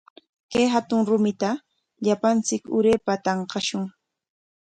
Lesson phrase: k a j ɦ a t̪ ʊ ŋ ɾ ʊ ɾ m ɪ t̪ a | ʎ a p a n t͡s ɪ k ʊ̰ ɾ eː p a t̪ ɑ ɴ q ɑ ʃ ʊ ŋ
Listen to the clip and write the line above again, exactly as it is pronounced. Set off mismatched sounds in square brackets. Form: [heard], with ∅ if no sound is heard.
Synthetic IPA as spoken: k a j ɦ a t̪ ʊ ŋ ɾ ʊ [∅] m ɪ t̪ a | ʎ a p a n t͡s ɪ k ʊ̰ ɾ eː p a t̪ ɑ ɴ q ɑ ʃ ʊ ŋ